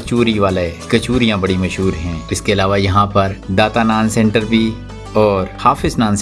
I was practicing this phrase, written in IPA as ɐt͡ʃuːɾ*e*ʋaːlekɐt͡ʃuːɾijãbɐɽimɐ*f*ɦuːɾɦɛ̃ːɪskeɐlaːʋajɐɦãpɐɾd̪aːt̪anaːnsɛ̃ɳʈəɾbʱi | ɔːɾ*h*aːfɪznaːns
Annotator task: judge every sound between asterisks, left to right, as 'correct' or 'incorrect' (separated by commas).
incorrect, incorrect, correct